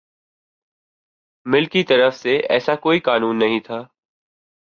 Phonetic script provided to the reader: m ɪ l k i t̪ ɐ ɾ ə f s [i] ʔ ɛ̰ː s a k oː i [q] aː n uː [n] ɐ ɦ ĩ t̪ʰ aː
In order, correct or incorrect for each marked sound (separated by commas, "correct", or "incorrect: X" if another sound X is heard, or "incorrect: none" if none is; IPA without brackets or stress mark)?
incorrect: e, incorrect: k, incorrect: nː